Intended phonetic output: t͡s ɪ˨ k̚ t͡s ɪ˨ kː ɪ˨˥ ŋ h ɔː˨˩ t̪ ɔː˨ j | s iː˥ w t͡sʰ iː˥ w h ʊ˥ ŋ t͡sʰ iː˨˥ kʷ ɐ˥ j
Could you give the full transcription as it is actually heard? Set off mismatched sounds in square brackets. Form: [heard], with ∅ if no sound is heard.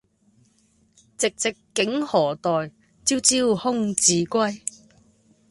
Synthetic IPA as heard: t͡s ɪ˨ k̚ t͡s ɪ˨ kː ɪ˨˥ ŋ h ɔː˨˩ t̪ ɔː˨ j | [t͡s] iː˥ w [t͡s] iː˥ w h ʊ˥ ŋ [t͡s] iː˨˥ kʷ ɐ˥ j